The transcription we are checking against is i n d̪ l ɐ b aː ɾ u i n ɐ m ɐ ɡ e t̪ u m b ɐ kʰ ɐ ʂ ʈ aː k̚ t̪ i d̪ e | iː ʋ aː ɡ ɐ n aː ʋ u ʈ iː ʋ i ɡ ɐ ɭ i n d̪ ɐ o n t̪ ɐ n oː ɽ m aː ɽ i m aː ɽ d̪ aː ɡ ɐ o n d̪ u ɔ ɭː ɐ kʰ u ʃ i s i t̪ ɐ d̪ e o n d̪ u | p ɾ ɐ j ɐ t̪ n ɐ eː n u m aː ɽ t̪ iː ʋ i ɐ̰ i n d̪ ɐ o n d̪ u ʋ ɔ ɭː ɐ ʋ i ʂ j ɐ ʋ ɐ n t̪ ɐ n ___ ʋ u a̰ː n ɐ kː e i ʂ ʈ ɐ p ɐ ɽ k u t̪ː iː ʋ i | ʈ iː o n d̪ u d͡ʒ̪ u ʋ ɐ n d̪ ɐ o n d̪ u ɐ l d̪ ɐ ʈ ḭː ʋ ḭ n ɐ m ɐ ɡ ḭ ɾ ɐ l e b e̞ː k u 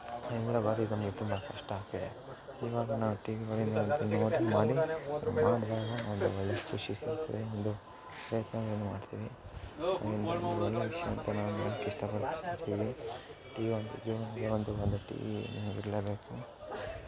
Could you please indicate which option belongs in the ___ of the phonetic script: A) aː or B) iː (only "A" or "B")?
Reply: A